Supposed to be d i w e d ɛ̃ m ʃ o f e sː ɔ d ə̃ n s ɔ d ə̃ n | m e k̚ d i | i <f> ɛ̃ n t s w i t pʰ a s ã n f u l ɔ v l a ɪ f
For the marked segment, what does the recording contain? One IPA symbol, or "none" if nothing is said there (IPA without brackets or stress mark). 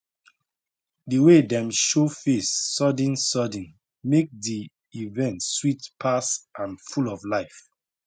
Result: v